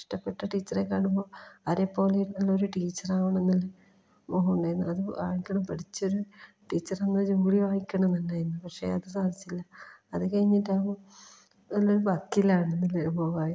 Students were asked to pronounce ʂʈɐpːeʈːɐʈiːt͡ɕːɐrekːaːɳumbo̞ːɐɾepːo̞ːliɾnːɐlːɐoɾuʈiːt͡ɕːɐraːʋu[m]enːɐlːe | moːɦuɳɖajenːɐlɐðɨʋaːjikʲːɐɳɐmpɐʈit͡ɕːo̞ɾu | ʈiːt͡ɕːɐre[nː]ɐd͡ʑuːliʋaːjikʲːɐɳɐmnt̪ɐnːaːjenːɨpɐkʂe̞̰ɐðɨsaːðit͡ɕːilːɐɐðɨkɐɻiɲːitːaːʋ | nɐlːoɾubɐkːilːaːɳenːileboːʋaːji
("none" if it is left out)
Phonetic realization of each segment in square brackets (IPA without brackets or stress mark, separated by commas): ɳ, nː